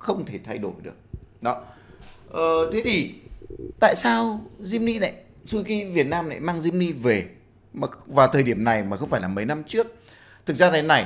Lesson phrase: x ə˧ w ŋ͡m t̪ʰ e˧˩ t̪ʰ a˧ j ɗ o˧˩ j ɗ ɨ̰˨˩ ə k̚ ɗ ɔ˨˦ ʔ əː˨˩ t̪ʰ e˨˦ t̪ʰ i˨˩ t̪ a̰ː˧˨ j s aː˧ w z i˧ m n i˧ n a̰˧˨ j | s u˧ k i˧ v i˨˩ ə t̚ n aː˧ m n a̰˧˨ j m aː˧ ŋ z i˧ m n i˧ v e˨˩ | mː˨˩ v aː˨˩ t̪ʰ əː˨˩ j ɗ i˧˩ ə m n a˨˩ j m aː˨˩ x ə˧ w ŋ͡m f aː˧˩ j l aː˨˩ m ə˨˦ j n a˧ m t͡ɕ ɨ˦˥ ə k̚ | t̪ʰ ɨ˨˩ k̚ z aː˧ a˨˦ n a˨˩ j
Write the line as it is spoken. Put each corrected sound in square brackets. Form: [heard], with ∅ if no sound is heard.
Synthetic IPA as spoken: x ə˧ w ŋ͡m t̪ʰ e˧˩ t̪ʰ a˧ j ɗ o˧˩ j ɗ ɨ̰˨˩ ə k̚ ɗ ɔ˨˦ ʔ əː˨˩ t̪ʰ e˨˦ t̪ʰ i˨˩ t̪ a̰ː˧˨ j s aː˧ w z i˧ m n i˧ n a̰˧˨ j | s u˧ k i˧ v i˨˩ ə t̚ n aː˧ m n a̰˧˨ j m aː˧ ŋ z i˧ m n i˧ v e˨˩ | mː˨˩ v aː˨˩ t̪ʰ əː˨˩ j ɗ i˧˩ ə m n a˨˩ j m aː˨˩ x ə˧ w ŋ͡m f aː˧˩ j l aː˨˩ m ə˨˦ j n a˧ m t͡ɕ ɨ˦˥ ə k̚ | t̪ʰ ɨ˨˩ k̚ z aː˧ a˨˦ n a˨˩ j